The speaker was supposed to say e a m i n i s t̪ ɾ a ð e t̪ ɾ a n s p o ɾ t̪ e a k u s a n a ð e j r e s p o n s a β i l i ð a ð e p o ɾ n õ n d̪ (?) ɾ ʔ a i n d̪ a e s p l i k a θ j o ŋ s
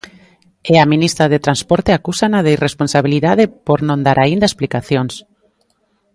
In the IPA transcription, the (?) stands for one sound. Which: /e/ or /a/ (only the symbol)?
a